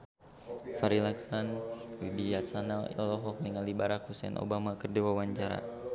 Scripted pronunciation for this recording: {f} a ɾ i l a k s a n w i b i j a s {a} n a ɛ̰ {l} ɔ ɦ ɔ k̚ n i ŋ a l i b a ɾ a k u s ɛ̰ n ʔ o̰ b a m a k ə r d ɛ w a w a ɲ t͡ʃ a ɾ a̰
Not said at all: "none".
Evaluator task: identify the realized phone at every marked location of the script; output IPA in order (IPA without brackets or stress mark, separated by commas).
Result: f, a, l